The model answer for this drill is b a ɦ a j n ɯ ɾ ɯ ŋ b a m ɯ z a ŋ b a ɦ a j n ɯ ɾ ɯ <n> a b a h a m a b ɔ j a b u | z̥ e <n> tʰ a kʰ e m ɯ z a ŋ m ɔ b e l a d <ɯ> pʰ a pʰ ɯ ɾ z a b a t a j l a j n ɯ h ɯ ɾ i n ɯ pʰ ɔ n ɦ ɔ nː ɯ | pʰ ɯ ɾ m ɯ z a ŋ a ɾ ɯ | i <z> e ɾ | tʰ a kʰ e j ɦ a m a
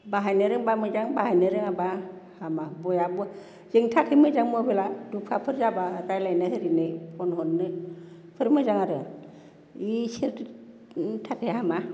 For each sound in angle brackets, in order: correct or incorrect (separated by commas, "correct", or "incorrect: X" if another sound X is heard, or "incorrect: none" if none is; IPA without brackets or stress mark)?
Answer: incorrect: ŋ, incorrect: ŋ, incorrect: u, incorrect: s